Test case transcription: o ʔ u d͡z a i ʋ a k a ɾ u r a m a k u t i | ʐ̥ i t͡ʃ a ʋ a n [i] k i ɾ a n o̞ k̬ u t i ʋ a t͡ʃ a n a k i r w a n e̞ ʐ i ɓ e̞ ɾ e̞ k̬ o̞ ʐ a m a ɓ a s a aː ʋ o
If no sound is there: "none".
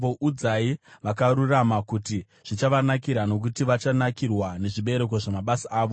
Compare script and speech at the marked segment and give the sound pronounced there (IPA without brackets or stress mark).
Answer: a